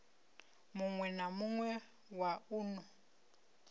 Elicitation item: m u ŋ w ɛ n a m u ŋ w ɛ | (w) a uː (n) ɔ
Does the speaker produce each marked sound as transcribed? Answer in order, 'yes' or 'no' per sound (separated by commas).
yes, yes